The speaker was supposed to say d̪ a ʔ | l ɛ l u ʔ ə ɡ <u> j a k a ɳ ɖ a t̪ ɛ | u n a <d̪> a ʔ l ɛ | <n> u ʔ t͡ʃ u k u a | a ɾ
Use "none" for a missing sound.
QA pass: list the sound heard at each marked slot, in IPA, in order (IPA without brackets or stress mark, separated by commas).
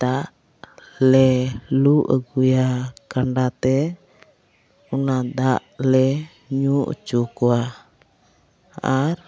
u, d̪, ɲ